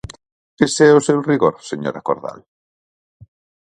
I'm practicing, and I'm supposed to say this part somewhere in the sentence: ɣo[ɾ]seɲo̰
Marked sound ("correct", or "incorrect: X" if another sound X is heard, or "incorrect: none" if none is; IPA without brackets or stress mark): correct